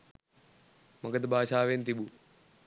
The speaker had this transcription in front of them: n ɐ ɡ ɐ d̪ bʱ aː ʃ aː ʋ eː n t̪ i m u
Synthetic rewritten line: m ɐ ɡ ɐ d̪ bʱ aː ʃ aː ʋ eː n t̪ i b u

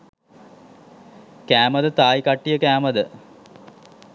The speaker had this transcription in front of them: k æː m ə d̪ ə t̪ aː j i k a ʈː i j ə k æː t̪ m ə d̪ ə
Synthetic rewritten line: k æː m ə d̪ ə t̪ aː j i k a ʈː i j ə k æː m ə d̪ ə

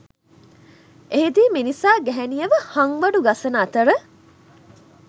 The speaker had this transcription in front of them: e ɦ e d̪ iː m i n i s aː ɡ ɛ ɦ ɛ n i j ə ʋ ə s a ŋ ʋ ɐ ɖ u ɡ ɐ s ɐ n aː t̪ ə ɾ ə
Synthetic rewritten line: e ɦ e d̪ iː m i n i s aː ɡ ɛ ɦ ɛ n i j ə ʋ ə h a ŋ ʋ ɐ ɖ u ɡ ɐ s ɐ n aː t̪ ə ɾ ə

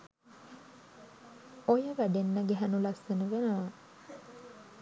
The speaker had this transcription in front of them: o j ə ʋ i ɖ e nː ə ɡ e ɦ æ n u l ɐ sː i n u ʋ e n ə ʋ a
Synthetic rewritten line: o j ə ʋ æ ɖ e nː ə ɡ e ɦ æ n u l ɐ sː e n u ʋ e n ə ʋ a

